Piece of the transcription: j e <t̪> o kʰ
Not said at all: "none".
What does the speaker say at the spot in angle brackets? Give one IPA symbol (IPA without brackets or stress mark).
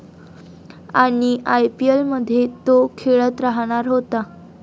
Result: t̪